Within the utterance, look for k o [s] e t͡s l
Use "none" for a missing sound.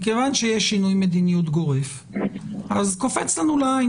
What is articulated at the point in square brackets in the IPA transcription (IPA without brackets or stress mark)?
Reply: f